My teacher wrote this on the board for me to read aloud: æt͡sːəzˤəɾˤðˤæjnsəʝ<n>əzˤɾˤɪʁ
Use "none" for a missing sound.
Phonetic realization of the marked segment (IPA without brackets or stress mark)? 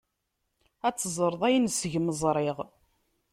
m